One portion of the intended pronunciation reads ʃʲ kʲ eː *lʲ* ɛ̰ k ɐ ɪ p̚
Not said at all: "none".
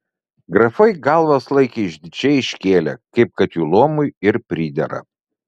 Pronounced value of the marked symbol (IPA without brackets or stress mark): lʲ